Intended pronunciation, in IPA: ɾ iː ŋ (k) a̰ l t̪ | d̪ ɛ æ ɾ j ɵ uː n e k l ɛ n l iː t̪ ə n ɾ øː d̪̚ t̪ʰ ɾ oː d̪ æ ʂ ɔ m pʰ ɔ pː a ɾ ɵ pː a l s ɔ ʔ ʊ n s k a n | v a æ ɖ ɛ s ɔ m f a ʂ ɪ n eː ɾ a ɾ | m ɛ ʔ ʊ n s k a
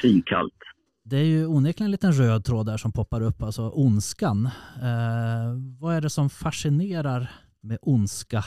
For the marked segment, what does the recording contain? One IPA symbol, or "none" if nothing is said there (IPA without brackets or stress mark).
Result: kʰ